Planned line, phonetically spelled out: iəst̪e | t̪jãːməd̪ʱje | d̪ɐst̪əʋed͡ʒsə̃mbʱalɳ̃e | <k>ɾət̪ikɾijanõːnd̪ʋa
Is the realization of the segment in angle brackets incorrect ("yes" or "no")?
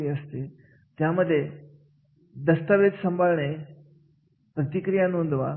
yes